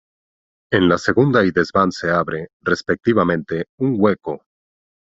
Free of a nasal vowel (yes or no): no